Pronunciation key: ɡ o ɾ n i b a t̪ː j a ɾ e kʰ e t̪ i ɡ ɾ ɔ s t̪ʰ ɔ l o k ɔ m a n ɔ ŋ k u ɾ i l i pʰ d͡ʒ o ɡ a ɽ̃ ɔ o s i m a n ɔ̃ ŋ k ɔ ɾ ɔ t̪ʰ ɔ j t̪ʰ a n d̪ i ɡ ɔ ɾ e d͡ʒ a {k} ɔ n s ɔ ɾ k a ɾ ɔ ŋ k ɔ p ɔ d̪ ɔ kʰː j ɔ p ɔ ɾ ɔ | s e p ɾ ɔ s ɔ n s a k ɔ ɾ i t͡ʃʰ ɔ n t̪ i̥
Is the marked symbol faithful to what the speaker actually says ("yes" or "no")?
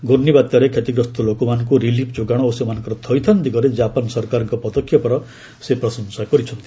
no